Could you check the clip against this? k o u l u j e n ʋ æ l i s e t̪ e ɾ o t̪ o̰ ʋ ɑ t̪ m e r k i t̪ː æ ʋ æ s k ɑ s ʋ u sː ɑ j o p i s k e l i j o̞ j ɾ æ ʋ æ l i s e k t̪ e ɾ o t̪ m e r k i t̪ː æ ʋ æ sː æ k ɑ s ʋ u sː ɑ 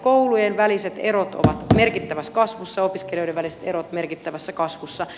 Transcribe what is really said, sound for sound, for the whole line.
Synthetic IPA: k o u l u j e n ʋ æ l i s e t̪ e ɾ o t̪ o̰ ʋ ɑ t̪ m e r k i t̪ː æ ʋ æ s k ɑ s ʋ u sː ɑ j o p i s k e l i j o̞ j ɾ e ʋ æ l i s e t̪ e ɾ o t̪ m e r k i t̪ː æ ʋ æ sː æ k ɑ s ʋ u sː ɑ

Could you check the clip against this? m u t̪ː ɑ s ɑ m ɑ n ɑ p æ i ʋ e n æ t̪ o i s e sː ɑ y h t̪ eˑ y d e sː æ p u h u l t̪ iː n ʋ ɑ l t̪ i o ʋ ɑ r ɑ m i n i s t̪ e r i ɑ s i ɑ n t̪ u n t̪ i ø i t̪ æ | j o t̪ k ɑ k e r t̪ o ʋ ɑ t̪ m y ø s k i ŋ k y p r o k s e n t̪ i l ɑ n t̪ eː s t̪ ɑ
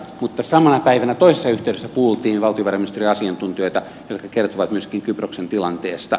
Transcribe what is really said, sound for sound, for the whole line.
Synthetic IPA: m u t̪ː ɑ s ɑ m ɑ n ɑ p æ i ʋ æ n æ t̪ o i s e sː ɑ y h t̪ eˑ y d e sː æ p u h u l t̪ iː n ʋ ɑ l t̪ i o ʋ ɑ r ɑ m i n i s t̪ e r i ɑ s i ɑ n t̪ u n t̪ i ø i t̪ æ | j o t̪ k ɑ k e r t̪ o ʋ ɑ t̪ m y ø s k i ŋ k y p r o k s e n t̪ i l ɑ n t̪ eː s t̪ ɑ

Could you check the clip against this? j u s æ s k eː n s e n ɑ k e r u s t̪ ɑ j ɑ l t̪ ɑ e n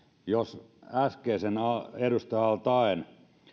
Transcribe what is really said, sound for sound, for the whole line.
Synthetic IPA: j o s æ s k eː s e n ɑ e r u s t̪ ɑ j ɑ l t̪ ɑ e n

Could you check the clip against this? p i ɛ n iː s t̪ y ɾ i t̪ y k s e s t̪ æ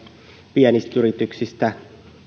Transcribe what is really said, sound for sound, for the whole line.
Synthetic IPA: p i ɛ n i s t̪ y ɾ i t̪ y k s i s t̪ æ

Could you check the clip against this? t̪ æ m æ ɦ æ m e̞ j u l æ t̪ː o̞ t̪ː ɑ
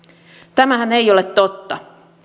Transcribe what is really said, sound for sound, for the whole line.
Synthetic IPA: t̪ æ m æ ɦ æ n e̞ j o l e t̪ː o̞ t̪ː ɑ

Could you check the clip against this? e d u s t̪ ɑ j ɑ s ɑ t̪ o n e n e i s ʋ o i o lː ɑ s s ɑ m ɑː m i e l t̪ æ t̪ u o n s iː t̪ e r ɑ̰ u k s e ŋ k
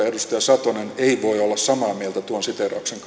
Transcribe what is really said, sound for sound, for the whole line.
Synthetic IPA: e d u s t̪ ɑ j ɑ s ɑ t̪ o n e n e i ʋ o i o lː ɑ s s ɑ m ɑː m i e l t̪ æ t̪ u o n s i t̪ e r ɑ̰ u k s e ŋ k

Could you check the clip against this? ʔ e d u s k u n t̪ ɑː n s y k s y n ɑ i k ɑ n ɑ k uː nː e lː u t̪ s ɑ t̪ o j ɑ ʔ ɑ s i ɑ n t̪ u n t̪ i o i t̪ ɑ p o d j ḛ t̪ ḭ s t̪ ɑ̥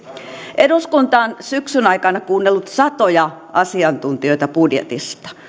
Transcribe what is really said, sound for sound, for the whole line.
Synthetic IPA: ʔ e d u s k u n t̪ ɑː n s y k s y n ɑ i k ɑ n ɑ k uː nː e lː u t̪ s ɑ t̪ o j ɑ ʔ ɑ s i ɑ n t̪ u n t̪ i o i t̪ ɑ p u d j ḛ t̪ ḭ s t̪ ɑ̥

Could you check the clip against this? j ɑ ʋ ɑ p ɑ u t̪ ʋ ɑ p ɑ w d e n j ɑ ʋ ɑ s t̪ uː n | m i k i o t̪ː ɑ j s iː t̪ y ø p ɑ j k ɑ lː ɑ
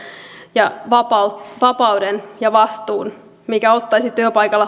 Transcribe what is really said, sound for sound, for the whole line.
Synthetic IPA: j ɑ ʋ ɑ p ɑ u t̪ ʋ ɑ p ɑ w d e n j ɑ ʋ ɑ s t̪ uː n | m i k æ o t̪ː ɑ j s i t̪ y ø p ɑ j k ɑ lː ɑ

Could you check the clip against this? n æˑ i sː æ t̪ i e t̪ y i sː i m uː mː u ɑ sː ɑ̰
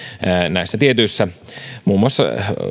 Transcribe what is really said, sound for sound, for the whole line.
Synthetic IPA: n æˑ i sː æ t̪ i e t̪ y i sː æ m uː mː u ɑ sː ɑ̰

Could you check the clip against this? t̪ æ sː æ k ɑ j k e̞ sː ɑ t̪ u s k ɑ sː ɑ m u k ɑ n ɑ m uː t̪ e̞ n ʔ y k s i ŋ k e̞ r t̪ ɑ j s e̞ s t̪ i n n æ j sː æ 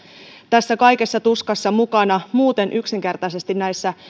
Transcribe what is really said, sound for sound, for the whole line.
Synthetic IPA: t̪ æ sː æ k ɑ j k e̞ sː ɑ t̪ u s k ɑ sː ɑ m u k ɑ n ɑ m uː t̪ e̞ n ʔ y k s i ŋ k e̞ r t̪ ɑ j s e̞ s t̪ i n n æ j sː æ

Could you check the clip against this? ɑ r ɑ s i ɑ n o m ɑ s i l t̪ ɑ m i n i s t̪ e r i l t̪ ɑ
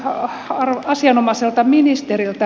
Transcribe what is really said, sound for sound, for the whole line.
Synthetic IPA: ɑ r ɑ s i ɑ n o m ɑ s e l t̪ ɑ m i n i s t̪ e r i l t̪ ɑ

